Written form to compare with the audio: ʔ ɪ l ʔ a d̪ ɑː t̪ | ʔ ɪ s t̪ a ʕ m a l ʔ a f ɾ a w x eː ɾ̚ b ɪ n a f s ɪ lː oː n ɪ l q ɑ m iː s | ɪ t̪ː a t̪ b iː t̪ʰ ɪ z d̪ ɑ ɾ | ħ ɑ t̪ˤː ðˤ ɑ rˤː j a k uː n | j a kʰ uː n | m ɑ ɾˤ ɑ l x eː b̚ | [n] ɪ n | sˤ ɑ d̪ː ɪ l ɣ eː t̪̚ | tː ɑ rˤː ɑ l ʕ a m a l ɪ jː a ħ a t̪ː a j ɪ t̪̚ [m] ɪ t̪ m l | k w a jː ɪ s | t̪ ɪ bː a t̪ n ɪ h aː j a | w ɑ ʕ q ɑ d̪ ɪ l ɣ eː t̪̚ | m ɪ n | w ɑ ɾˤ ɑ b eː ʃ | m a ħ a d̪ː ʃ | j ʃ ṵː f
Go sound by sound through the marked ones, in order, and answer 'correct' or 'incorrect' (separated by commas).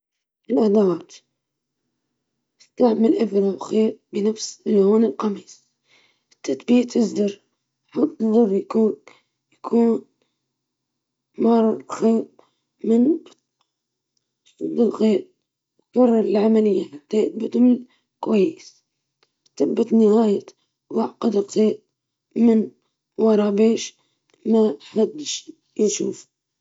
incorrect, incorrect